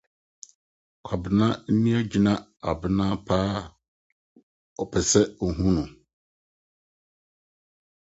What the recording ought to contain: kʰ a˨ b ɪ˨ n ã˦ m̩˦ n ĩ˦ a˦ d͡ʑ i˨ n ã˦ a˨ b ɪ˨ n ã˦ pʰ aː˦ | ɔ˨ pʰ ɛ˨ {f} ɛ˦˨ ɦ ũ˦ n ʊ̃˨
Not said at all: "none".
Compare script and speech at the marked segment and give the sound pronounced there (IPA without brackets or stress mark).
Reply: s